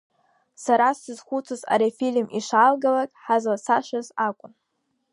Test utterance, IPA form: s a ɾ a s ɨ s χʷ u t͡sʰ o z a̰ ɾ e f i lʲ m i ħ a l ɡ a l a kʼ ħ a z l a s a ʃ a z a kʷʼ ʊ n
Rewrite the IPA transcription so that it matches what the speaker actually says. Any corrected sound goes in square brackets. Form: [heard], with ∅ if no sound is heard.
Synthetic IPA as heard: s a ɾ a s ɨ [z] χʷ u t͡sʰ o z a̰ ɾ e f i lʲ m i [ʂ] a l ɡ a l a kʼ ħ a z l a s a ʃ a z a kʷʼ ʊ n

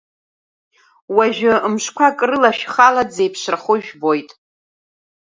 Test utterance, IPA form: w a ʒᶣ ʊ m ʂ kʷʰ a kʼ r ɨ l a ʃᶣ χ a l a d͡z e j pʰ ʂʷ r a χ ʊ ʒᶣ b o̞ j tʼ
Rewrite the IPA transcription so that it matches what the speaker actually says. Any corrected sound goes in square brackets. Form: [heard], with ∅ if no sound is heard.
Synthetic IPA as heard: w a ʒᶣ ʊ m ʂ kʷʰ a kʼ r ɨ l a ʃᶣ χ a l a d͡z e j pʰ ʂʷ r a χ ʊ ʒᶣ b o̞ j tʼ

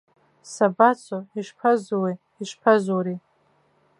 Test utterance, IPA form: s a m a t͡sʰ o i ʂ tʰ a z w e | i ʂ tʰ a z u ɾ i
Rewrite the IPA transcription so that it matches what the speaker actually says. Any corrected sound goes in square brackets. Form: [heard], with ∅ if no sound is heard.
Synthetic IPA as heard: s a [b] a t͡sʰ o i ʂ [pʰ] a z w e | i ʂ [pʰ] a z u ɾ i

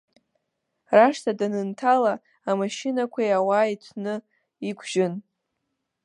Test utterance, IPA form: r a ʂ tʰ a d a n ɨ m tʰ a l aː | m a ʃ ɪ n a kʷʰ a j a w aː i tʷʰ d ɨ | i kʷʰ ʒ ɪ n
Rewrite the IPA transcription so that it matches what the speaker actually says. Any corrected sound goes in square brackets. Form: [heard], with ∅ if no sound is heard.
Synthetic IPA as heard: r a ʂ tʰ a d a n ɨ [n] tʰ a l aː | m a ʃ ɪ n a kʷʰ a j a w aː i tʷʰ [n] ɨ | i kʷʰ ʒ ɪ n

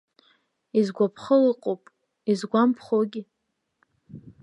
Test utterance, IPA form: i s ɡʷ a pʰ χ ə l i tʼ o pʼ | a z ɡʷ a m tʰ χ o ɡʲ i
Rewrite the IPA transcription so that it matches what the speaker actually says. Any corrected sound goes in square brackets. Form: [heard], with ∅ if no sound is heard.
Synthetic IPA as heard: i [z] ɡʷ a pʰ χ ə l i [qʼ] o pʼ | [i] z ɡʷ a m [pʰ] χ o ɡʲ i

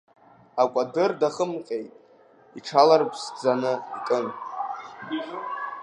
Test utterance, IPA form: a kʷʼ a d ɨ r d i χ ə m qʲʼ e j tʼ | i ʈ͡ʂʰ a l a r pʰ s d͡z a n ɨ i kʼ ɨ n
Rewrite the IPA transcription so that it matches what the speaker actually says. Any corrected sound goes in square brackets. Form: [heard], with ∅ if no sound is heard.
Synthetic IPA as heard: a kʷʼ a d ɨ r d [a] χ ə m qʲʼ e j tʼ | i ʈ͡ʂʰ a l a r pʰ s d͡z a n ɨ i kʼ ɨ n

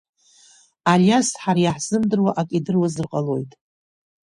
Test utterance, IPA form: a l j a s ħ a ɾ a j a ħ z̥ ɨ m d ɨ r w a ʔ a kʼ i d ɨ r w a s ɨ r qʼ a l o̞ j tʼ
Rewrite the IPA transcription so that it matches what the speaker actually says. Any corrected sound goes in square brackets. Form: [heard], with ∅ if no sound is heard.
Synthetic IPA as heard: a l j a s ħ a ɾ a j a ħ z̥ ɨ m d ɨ r w a ʔ a kʼ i d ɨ r w a [z] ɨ r qʼ a l o̞ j tʼ

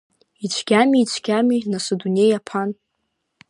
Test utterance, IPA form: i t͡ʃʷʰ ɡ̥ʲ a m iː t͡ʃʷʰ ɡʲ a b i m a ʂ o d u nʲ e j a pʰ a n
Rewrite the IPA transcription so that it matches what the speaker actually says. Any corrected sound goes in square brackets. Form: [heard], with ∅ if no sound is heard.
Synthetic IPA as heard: i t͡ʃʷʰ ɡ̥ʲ a m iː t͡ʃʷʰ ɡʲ a [m] i [n] a [s] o d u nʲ e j a pʰ a n

